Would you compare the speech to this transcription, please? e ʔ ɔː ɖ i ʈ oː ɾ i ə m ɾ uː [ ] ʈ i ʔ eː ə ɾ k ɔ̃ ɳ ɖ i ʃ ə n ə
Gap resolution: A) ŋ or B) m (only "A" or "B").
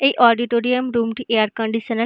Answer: B